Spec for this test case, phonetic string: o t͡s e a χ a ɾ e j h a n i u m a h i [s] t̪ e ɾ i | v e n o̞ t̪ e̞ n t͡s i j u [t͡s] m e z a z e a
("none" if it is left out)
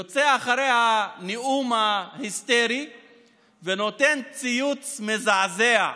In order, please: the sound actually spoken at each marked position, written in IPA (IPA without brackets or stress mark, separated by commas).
s, t͡s